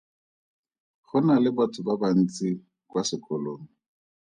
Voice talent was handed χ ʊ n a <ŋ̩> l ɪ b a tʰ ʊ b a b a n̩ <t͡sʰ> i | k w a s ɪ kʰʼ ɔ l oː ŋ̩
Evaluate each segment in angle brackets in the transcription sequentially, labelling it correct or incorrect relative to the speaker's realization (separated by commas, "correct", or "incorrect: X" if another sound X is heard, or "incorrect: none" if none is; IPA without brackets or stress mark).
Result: incorrect: none, incorrect: t͡s